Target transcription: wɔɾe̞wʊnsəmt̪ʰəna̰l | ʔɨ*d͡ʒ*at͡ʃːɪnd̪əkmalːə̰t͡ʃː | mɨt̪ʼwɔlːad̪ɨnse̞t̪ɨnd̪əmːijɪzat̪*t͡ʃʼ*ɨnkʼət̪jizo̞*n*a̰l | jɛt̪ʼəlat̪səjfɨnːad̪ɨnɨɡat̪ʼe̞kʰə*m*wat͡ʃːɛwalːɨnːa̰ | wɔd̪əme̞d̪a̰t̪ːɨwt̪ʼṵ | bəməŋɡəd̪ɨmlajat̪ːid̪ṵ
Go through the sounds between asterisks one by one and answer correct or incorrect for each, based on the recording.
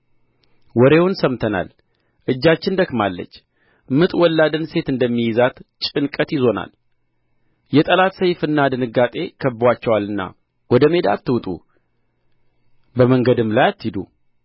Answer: incorrect: d͡ʒː, correct, correct, incorrect: b

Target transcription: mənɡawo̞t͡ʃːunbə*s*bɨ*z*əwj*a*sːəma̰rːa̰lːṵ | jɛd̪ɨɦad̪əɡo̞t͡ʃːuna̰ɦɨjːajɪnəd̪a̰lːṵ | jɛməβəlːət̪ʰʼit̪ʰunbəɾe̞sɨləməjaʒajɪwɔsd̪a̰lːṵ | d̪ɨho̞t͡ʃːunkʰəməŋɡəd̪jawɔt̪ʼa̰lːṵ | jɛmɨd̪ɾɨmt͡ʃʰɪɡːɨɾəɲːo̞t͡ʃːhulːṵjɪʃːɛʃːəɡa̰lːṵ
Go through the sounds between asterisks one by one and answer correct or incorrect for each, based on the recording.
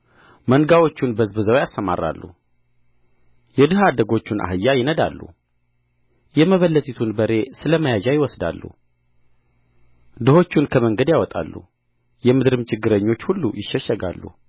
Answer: incorrect: z, correct, correct

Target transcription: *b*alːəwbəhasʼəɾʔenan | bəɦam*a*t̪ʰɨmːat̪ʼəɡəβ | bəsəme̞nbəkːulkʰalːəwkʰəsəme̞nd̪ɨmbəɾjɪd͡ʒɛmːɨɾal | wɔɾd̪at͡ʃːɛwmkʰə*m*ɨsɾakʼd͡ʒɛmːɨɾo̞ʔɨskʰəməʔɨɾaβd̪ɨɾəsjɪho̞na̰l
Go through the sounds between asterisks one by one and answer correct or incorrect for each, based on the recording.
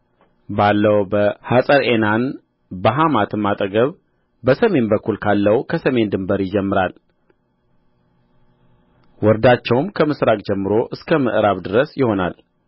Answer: correct, correct, correct

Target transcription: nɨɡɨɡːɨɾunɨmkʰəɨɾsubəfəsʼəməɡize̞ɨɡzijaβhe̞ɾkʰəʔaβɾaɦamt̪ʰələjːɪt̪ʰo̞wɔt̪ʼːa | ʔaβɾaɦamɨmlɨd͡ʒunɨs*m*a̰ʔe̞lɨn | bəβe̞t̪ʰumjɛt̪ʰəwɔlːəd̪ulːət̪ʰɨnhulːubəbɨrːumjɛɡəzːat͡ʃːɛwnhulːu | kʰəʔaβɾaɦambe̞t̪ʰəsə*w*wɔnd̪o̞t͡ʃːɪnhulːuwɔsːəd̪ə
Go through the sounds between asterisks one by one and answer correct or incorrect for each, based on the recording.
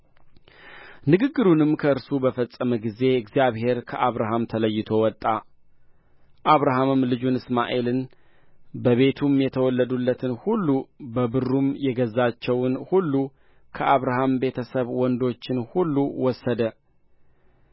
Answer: correct, incorrect: β

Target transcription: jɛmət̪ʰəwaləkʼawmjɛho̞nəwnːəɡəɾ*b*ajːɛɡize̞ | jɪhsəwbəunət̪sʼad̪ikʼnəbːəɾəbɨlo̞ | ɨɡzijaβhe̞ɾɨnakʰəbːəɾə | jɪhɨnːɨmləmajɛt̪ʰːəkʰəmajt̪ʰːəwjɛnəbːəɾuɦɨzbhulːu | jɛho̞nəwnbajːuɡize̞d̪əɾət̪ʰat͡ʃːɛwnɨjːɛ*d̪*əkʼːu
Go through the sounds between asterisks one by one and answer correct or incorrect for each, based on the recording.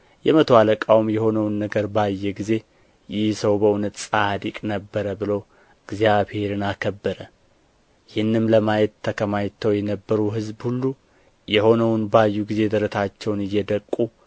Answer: correct, correct

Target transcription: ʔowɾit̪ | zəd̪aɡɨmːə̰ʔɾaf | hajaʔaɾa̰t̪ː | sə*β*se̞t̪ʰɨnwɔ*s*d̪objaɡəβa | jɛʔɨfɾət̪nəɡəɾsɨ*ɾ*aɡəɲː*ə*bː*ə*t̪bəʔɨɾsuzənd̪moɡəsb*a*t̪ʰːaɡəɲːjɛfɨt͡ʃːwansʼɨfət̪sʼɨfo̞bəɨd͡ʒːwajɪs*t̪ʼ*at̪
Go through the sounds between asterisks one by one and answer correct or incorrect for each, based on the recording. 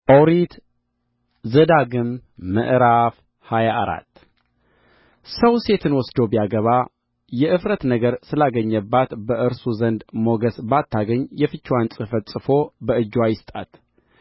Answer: incorrect: w, correct, incorrect: l, correct, incorrect: a, correct, correct

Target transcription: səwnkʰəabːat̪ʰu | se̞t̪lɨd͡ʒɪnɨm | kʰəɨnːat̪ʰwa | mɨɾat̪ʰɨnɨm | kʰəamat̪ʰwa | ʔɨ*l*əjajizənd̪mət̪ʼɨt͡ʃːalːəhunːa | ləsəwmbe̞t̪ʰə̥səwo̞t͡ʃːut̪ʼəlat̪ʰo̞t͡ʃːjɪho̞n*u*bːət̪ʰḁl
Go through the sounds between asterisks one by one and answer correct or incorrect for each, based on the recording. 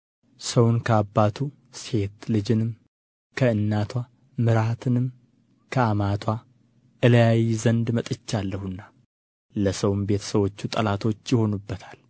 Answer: correct, correct

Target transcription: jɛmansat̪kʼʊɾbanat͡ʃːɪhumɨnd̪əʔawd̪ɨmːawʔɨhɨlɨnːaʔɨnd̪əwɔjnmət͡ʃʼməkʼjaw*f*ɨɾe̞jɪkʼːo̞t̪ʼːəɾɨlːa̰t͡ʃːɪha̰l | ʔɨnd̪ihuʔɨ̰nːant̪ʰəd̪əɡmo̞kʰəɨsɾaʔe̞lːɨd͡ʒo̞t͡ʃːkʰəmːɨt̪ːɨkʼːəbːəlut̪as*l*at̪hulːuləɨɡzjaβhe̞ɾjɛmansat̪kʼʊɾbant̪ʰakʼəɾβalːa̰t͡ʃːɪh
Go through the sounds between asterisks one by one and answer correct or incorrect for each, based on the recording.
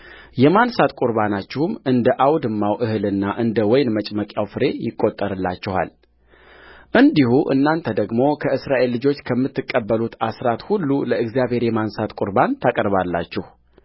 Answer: correct, incorrect: ɾ

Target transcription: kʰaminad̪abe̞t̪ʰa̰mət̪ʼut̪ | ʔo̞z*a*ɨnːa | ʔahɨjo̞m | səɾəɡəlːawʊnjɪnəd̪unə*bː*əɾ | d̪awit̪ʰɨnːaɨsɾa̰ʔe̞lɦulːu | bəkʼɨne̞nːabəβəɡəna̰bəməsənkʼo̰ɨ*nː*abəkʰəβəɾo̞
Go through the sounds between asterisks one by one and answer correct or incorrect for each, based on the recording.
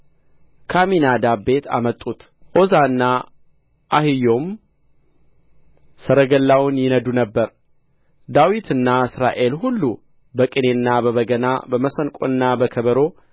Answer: correct, correct, correct

